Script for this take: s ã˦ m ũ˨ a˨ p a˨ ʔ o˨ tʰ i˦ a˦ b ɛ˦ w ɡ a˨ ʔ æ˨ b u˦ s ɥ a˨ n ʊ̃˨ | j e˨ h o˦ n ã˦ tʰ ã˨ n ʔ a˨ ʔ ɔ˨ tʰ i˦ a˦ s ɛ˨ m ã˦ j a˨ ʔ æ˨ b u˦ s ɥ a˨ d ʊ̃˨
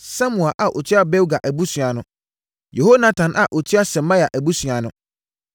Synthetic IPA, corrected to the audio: s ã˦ m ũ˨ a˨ ʔ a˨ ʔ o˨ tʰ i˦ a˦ b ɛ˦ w ɡ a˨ ʔ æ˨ b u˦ s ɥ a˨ n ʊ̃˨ | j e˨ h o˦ n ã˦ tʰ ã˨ n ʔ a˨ ʔ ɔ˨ tʰ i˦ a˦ s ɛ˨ m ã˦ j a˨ ʔ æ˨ b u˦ s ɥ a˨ n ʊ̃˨